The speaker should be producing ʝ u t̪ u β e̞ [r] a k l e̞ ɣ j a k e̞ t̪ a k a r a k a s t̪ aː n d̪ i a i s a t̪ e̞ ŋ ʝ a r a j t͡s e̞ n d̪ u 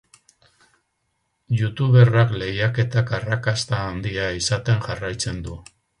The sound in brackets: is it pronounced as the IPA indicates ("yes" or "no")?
yes